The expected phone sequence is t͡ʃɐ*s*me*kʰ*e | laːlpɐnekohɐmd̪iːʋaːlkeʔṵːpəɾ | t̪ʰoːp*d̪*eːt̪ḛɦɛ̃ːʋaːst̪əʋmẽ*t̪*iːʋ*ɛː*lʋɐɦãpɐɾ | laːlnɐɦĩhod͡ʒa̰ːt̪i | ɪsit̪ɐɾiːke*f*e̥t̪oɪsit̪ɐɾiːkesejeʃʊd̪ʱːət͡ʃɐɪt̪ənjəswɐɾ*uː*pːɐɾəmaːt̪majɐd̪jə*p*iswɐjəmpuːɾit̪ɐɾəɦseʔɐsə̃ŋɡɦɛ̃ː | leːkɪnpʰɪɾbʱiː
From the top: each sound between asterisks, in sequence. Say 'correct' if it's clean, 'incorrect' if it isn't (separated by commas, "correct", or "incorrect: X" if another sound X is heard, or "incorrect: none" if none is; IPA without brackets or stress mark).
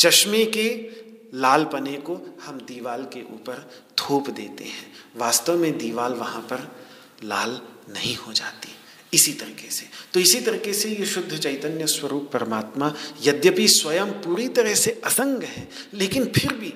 incorrect: ʃ, incorrect: k, correct, incorrect: d̪, incorrect: aː, incorrect: s, correct, correct